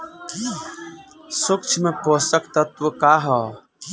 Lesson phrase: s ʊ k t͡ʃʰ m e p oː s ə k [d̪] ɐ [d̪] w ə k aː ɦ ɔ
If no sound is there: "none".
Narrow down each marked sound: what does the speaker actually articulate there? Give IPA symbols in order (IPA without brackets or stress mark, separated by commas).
t̪, t̪